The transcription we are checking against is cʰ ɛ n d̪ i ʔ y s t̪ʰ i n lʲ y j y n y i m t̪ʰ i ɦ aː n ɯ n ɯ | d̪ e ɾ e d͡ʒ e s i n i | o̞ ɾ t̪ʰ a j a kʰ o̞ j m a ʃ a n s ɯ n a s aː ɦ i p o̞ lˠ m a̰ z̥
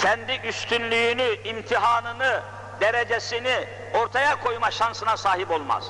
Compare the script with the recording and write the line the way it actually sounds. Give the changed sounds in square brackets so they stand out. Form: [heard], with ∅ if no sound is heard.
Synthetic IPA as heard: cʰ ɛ n d̪ i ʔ y s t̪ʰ [y] n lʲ y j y n y i m t̪ʰ i ɦ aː n ɯ n ɯ | d̪ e ɾ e d͡ʒ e s i n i | o̞ ɾ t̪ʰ a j a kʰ o̞ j m a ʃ a n s ɯ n a s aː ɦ i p o̞ lˠ m a̰ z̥